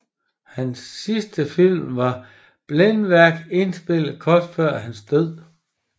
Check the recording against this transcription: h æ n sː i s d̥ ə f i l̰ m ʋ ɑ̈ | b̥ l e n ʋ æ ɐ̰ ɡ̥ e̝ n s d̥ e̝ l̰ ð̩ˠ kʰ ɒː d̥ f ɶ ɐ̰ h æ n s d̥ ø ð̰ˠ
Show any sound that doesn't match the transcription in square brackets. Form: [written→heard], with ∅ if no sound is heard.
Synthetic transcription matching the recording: h æ n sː i s d̥ ə f i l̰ m ʋ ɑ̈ | b̥ l e n ʋ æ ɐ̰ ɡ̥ e̝ n s [d̥→b̥] e̝ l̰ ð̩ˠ kʰ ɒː d̥ f ɶ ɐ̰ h æ n s d̥ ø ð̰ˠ